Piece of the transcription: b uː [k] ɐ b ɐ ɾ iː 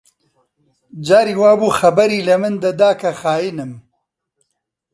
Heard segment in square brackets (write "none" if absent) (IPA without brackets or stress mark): x